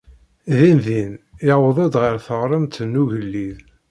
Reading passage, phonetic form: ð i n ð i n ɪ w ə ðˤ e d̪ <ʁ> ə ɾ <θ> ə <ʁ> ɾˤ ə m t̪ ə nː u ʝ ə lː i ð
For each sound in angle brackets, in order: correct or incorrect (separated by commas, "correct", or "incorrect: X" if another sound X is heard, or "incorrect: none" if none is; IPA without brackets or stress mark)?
correct, correct, correct